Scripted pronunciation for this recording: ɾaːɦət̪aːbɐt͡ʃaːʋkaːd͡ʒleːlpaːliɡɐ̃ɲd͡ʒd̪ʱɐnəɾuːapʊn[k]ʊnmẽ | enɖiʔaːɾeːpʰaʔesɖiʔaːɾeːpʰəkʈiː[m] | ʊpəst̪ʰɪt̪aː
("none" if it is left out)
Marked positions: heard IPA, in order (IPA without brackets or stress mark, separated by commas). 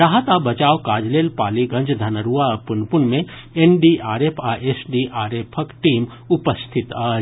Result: p, m